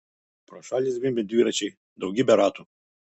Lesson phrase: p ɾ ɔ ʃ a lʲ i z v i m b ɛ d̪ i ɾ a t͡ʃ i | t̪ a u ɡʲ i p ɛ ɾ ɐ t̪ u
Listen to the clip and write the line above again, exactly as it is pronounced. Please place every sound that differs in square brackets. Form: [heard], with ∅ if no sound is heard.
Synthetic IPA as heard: p ɾ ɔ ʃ a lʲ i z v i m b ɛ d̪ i ɾ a t͡ʃ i | [d̪] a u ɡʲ i [b] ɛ ɾ [a] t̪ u